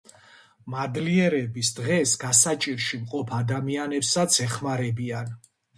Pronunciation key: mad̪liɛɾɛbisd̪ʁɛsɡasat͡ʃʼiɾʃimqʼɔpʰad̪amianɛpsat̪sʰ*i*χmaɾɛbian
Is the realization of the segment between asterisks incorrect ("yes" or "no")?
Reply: yes